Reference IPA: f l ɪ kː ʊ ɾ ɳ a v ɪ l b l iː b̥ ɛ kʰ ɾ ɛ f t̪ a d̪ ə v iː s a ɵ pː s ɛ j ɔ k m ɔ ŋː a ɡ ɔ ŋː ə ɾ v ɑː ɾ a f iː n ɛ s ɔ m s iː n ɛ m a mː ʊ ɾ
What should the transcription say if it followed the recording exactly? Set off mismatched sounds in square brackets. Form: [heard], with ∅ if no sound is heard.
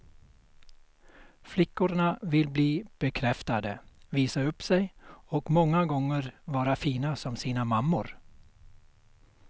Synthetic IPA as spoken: f l ɪ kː ʊ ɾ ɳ a v ɪ l b l iː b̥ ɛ kʰ ɾ ɛ f t̪ a d̪ ə v iː s a ɵ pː s ɛ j ɔ k m ɔ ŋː a ɡ ɔ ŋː ə ɾ v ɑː ɾ a f iː n [a] s ɔ m s iː n [a] m a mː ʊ ɾ